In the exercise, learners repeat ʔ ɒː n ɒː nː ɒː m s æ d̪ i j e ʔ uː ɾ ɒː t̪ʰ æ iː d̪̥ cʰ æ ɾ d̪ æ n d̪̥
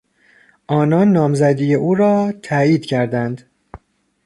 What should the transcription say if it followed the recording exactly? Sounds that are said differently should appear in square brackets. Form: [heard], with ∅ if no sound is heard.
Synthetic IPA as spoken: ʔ ɒː n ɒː nː ɒː m [z] æ d̪ i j e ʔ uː ɾ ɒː t̪ʰ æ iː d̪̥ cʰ æ ɾ d̪ æ n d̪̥